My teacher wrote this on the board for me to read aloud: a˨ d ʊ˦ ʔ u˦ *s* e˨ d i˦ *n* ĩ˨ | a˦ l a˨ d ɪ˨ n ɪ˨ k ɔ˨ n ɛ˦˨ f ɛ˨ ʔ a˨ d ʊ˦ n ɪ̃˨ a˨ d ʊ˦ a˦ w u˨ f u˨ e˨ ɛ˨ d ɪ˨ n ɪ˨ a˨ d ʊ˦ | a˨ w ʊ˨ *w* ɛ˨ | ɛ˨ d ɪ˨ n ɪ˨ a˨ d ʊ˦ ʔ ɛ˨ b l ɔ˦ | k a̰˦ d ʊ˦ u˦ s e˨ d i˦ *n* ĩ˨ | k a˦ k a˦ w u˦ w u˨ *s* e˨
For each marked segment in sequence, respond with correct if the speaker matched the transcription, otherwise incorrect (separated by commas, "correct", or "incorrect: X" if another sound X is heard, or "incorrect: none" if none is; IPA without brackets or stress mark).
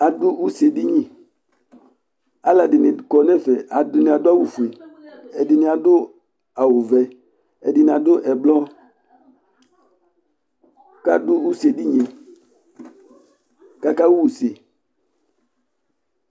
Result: correct, incorrect: ɲ, incorrect: v, incorrect: ɲ, correct